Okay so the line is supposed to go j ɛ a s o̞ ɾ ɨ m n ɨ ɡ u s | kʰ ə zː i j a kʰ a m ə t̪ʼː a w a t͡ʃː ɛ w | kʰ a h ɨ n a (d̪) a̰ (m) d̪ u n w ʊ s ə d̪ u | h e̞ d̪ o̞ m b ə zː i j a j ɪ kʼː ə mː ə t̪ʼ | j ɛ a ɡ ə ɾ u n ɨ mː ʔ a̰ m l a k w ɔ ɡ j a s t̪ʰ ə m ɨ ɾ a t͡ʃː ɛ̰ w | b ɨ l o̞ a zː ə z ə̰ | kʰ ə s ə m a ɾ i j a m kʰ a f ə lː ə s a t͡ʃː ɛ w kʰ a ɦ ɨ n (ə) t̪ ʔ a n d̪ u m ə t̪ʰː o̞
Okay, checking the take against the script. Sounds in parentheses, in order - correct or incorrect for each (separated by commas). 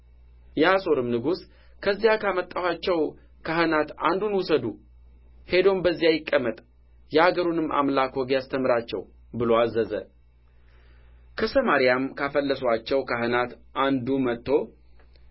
incorrect, incorrect, incorrect